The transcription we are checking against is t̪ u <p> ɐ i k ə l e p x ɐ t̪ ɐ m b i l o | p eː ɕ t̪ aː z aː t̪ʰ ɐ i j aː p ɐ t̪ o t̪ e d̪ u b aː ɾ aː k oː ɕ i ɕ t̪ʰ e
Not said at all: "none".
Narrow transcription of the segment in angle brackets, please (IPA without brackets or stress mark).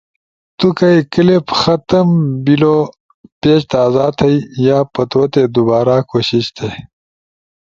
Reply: k